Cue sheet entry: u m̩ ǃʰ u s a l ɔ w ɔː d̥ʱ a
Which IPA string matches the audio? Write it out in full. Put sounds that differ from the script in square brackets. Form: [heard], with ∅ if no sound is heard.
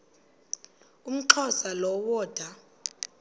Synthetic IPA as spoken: u m̩ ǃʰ [ɔ] s a l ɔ w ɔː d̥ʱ a